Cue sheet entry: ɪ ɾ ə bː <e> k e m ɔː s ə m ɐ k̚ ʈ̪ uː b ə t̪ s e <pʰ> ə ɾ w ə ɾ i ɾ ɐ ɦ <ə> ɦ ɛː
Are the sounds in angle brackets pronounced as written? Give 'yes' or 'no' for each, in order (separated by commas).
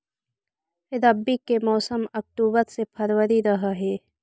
no, yes, no